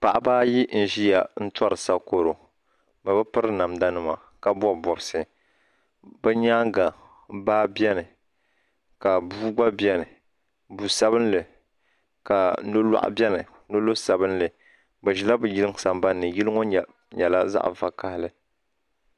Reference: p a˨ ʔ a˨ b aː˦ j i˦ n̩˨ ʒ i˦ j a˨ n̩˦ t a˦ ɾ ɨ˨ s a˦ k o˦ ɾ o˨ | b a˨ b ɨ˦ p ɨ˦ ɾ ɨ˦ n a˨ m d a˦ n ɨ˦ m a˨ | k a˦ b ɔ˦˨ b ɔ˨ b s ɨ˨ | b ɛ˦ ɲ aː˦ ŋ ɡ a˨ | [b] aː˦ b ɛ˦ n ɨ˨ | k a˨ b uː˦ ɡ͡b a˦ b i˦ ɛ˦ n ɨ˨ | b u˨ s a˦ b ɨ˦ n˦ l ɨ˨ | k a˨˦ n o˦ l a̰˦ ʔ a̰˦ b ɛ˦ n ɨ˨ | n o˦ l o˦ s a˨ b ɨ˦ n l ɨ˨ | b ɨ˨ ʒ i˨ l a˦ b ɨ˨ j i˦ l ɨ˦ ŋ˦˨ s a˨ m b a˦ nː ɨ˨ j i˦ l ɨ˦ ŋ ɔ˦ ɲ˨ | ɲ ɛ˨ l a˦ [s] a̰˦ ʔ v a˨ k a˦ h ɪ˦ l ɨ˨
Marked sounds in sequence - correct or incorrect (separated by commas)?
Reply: correct, incorrect